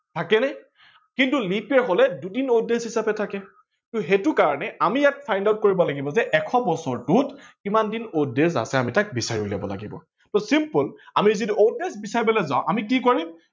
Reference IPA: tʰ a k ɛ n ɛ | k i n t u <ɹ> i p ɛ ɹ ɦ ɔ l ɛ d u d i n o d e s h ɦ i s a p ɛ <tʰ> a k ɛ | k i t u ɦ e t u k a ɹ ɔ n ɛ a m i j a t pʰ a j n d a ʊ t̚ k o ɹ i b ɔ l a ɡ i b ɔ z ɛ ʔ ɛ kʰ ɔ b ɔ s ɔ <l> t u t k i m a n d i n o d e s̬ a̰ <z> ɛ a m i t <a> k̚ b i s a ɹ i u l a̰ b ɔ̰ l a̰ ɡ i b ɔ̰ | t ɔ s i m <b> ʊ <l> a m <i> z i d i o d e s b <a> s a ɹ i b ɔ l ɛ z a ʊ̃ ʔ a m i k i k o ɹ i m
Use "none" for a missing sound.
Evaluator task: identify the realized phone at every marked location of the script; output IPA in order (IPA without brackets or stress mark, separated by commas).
l, tʰ, ɹ, s, a, p, l, i, i